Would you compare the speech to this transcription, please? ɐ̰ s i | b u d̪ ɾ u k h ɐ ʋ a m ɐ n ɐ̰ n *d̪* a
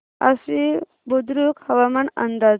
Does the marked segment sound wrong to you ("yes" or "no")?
no